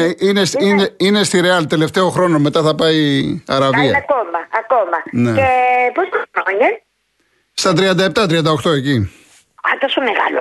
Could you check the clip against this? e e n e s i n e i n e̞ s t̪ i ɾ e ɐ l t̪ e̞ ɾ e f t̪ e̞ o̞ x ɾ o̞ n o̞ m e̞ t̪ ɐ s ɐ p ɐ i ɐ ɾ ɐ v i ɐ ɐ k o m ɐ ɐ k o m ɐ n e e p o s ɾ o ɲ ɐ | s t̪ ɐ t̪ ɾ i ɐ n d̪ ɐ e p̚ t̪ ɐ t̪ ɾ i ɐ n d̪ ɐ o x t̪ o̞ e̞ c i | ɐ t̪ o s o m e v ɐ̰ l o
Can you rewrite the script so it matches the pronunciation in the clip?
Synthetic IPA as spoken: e i n e s i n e i n e̞ s t̪ i ɾ e ɐ l t̪ e̞ l e f t̪ e̞ o̞ x ɾ o̞ n o̞ m e̞ t̪ ɐ θ ɐ p ɐ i ɐ ɾ ɐ v i ɐ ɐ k o m ɐ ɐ k o m ɐ n e e p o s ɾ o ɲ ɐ | s t̪ ɐ t̪ ɾ i ɐ n d̪ ɐ e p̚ t̪ ɐ t̪ ɾ i ɐ n d̪ ɐ o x t̪ o̞ e̞ c i | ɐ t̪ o s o m e ɣ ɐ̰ l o